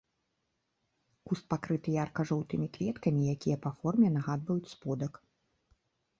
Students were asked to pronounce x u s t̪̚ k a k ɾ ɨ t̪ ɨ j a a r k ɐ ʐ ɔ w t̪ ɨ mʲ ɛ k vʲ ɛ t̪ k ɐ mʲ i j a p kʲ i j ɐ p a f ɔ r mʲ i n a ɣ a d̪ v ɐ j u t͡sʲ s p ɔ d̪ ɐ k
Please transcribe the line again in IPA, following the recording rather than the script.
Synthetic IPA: k u s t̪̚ p a k ɾ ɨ t̪ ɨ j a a r k ɐ ʐ ɔ w t̪ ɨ mʲ i k vʲ ɛ t̪ k ɐ mʲ i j a kʲ i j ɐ p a f ɔ r mʲ ɛ n a ɣ a d̪ v ɐ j u t͡sʲ s p ɔ d̪ ɐ k

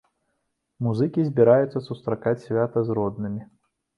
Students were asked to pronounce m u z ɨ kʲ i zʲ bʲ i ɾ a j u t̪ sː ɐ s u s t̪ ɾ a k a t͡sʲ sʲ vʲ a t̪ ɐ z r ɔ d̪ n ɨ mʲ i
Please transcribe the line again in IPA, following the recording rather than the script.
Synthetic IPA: m u z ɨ kʲ i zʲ bʲ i ɾ a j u t̪ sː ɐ s u s t̪ ɾ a k a t͡sʲ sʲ vʲ a t̪ ɐ z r ɔ d̪ n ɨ mʲ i

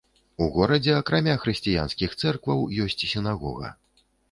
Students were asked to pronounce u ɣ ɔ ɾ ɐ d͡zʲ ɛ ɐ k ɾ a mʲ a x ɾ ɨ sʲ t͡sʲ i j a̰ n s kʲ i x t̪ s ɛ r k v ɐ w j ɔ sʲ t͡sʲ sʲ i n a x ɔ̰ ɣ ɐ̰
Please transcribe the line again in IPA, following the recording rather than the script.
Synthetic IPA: u ɣ ɔ ɾ ɐ d͡zʲ ɛ ɐ k ɾ a mʲ a x ɾ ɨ sʲ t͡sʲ i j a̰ n s kʲ i x t̪ s ɛ r k v ɐ w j ɔ sʲ t͡sʲ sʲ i n a ɣ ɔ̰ ɣ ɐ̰

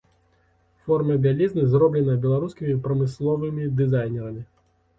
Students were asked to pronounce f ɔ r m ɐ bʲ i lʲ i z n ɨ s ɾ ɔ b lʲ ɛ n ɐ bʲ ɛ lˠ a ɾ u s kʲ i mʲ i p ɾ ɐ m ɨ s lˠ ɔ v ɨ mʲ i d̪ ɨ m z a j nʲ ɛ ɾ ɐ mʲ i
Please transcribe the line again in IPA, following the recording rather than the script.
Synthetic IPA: f ɔ r m ɐ bʲ a lʲ i z n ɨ z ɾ ɔ b lʲ ɛ n ɐ bʲ ɛ lˠ a ɾ u s kʲ i mʲ i p ɾ ɐ m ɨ s lˠ ɔ v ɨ mʲ i d̪ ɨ z a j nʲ ɛ ɾ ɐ mʲ i

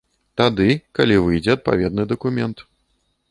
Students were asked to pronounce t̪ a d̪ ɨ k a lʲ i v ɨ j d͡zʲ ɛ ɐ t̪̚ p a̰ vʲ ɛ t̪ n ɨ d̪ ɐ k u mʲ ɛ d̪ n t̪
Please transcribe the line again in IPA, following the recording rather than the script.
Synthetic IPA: t̪ a d̪ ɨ k a lʲ i v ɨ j d͡zʲ ɛ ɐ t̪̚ p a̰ vʲ ɛ d̪ n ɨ d̪ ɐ k u mʲ ɛ n t̪

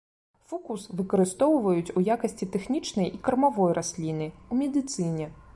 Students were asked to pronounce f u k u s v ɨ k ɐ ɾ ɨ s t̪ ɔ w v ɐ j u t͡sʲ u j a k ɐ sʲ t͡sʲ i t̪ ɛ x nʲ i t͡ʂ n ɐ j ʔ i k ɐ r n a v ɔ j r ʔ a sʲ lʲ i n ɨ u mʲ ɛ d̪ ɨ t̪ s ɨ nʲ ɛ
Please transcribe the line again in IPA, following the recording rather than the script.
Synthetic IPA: f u k u s v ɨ k ɐ ɾ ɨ s t̪ ɔ w v ɐ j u t͡sʲ u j a k ɐ sʲ t͡sʲ i t̪ ɛ x nʲ i t͡ʂ n ɐ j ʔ i k ɐ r m a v ɔ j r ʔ a sʲ lʲ i n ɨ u mʲ ɛ d̪ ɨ t̪ s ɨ nʲ ɛ

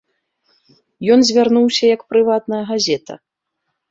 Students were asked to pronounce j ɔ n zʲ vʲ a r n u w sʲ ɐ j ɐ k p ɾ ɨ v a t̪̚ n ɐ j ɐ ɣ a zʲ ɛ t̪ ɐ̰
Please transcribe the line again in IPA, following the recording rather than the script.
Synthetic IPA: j ɔ n zʲ vʲ a r n u w sʲ ɐ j ɐ k p ɾ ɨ v a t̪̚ n ɐ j ɐ ɣ a zʲ ɛ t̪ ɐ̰

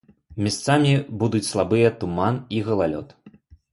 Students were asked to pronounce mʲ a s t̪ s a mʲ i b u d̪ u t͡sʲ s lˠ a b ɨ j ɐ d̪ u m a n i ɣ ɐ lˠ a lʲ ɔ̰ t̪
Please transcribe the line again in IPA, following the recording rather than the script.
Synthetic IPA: mʲ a s t̪ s a mʲ i b u d̪ u t͡sʲ s lˠ a b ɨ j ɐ t̪ u m a n i ɣ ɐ lˠ a lʲ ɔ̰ t̪

